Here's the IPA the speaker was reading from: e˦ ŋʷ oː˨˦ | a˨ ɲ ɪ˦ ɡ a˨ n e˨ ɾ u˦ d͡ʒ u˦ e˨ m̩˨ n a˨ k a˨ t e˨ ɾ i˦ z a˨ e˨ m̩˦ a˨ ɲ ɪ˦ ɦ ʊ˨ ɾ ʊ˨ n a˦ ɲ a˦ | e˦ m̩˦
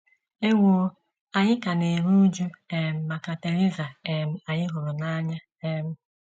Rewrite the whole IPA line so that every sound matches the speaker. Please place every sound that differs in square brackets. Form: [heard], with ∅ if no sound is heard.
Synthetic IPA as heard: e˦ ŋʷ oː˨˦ | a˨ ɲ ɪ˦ [k] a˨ n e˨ ɾ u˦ d͡ʒ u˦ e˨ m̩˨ [m] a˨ k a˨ t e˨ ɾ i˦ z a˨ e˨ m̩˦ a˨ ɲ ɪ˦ ɦ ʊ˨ ɾ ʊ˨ n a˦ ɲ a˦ | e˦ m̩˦

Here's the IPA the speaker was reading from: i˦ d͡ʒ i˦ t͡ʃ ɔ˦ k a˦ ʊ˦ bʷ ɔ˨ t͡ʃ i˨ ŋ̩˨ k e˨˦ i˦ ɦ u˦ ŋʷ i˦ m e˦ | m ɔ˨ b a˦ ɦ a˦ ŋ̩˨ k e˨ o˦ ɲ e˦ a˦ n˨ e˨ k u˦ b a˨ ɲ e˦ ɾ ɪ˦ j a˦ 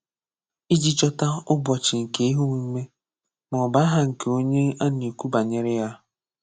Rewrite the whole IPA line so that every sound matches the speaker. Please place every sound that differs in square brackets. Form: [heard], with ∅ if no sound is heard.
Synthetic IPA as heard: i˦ d͡ʒ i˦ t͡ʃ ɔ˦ [t] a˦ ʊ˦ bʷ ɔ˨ t͡ʃ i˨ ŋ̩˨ k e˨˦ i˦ ɦ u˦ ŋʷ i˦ m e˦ | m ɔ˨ b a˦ ɦ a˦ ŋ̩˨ k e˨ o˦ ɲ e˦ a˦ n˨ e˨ k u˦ b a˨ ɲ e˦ ɾ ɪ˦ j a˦

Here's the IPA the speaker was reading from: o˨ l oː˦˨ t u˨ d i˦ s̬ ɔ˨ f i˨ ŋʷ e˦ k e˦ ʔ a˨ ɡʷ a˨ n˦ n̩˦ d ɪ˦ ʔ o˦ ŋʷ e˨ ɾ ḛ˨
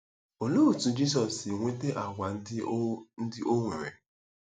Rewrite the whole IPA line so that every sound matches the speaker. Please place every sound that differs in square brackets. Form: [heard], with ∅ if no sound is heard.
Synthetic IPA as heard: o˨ l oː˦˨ t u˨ [d͡ʒ] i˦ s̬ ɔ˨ [s] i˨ ŋʷ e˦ [t] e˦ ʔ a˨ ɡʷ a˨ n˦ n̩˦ d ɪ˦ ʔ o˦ ŋʷ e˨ ɾ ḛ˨

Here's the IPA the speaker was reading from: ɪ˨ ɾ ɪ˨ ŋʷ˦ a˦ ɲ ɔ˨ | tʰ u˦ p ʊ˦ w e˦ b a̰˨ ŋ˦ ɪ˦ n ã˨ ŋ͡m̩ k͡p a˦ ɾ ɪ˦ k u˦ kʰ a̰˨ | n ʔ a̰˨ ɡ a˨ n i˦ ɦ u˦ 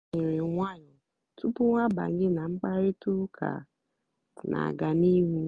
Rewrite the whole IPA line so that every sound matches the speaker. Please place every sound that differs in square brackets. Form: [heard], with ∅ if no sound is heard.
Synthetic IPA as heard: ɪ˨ ɾ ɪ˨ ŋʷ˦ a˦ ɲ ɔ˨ | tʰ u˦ p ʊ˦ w [a˦] b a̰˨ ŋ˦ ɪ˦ n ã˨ ŋ͡m̩ k͡p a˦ ɾ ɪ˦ [t] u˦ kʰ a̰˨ | n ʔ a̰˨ ɡ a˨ n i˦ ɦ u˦

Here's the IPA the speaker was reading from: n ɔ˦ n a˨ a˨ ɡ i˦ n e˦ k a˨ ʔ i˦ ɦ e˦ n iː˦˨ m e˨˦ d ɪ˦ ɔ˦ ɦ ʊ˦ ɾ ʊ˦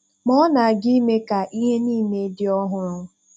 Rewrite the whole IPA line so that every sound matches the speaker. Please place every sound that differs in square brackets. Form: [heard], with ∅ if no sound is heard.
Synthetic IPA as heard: [m] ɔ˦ n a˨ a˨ ɡ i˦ [m] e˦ k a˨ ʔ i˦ ɦ e˦ n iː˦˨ m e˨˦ d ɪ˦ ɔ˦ ɦ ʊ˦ ɾ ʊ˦

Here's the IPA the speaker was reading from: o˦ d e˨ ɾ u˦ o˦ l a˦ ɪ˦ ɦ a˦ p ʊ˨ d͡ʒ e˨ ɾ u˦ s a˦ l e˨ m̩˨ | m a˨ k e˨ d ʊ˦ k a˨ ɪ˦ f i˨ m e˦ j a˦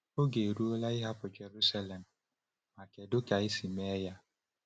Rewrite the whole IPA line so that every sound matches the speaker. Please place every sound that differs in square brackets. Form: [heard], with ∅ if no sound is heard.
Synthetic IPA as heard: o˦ [ɡ] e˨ ɾ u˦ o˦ l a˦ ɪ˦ ɦ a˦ p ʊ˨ d͡ʒ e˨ ɾ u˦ s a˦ l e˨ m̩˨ | m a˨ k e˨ d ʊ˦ k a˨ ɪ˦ [s] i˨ m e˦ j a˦

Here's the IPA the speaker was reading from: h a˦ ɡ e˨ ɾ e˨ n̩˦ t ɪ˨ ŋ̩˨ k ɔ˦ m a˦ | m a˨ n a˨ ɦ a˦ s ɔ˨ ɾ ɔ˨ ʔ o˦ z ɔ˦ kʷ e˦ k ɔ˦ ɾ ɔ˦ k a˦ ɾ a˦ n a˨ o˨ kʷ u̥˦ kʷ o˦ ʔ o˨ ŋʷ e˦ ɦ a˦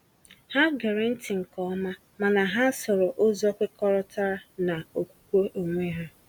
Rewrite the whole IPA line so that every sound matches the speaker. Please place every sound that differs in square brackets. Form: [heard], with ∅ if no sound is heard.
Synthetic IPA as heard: h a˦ ɡ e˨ ɾ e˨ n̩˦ t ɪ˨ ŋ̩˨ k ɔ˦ m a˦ | m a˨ n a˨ ɦ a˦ s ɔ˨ ɾ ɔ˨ ʔ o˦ z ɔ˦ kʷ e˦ k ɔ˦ ɾ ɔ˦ [t] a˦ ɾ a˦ n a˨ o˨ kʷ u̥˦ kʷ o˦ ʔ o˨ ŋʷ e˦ ɦ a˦

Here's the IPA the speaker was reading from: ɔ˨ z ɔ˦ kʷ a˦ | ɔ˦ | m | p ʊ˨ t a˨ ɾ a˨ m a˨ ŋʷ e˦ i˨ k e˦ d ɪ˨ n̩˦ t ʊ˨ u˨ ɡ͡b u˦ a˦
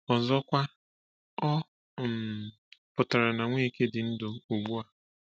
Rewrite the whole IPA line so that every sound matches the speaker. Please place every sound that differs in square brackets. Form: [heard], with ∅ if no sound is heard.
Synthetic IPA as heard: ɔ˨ z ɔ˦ kʷ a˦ | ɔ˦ | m | p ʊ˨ t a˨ ɾ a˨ [n] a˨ ŋʷ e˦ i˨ k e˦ d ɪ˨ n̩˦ [d] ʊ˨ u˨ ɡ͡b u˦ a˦

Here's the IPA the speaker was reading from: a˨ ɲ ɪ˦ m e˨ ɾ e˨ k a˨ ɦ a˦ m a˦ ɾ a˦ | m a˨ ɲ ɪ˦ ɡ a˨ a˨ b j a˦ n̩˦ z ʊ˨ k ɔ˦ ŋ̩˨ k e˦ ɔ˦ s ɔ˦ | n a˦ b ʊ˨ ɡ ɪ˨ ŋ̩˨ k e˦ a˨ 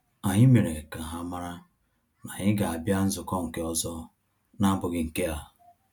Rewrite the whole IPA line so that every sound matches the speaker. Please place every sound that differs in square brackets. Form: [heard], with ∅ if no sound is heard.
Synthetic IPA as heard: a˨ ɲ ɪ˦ m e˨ ɾ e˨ k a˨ ɦ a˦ m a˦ ɾ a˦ | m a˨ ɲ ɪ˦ ɡ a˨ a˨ b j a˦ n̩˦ z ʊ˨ k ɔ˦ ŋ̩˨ k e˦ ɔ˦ [z] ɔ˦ | n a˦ b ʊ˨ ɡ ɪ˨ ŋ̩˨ k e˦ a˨

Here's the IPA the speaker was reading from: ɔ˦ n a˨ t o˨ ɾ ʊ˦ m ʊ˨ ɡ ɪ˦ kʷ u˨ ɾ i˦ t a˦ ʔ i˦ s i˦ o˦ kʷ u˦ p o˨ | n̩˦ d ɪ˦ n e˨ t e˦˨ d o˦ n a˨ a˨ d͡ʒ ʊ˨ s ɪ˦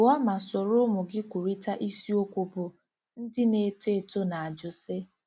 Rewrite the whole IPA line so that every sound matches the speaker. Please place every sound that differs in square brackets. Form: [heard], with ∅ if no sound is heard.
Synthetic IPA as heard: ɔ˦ [m] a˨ [s] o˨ ɾ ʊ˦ m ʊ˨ ɡ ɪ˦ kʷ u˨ ɾ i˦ t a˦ ʔ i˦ s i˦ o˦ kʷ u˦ p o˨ | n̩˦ d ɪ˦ n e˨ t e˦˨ [t] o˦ n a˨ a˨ d͡ʒ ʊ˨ s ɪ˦

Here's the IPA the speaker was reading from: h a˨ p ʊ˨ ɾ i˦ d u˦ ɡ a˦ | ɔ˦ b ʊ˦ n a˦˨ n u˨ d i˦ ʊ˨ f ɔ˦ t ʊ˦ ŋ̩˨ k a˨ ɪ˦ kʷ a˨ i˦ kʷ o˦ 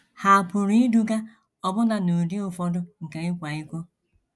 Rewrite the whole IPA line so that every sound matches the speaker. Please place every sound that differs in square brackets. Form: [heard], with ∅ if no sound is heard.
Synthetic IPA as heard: h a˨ p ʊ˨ ɾ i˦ d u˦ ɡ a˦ | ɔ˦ b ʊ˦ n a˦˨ n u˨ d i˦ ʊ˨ f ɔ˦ [d] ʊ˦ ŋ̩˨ k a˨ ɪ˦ kʷ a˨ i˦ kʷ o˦

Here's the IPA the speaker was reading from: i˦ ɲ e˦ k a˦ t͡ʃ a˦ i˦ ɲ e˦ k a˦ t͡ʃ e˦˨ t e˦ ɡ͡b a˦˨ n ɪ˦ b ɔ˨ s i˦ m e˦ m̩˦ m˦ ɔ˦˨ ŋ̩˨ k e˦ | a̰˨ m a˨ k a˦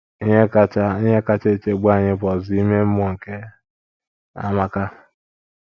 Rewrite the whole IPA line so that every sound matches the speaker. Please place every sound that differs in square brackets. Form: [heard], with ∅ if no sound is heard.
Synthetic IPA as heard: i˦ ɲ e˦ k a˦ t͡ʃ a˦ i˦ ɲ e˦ k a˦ t͡ʃ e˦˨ [t͡ʃ] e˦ ɡ͡b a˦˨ [ɲ] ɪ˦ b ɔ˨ [z] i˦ m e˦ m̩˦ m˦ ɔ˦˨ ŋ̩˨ k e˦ | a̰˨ m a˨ k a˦

